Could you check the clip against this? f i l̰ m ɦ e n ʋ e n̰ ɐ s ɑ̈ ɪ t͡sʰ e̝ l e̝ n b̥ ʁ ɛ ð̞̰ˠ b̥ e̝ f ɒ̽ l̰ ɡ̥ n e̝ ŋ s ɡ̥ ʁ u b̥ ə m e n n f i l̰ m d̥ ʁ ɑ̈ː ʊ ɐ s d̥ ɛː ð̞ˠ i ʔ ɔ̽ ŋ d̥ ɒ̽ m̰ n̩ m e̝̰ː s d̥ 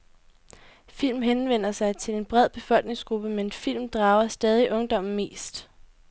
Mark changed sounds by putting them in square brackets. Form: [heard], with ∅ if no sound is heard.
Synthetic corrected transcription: f i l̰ m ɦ e n ʋ e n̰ ɐ s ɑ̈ ɪ t͡sʰ e̝ l e̝ n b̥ ʁ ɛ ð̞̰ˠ b̥ e̝ f ɒ̽ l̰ ɡ̥ n e̝ ŋ s ɡ̥ ʁ u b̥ ə m e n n f i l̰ m d̥ ʁ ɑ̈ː ʊ ɐ s d̥ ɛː ð̞ˠ i ʔ ɔ̽ ŋ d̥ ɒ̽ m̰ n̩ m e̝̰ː s d̥